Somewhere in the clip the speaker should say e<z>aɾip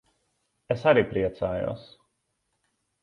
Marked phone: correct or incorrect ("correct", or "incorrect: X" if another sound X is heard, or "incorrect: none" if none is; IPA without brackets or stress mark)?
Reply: incorrect: s